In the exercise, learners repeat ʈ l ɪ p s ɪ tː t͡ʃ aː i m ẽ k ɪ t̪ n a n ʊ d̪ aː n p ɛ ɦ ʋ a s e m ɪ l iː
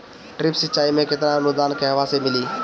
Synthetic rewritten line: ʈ ɾ ɪ p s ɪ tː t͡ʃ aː i m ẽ k ɪ t̪ n a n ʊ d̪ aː n k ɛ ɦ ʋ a s e m ɪ l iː